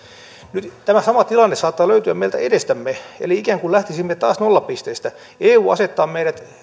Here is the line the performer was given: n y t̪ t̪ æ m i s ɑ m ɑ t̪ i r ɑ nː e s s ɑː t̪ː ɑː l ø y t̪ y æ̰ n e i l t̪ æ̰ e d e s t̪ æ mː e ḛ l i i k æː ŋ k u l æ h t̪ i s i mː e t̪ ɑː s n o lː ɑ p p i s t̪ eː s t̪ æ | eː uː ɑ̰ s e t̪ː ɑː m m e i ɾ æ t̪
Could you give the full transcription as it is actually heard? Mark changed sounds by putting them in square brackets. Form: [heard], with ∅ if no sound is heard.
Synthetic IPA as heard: n y t̪ t̪ æ m [æ] s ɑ m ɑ t̪ i [l] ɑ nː e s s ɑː t̪ː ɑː l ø y t̪ y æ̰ [m] e i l t̪ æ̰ e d e s t̪ æ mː e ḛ l i i k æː ŋ k u l æ h t̪ i s i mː e t̪ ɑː s n o lː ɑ p p i s t̪ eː s t̪ æ | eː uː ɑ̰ s e t̪ː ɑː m m e i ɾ æ t̪